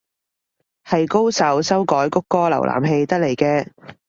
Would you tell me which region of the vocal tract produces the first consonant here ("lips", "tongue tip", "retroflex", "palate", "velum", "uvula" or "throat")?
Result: throat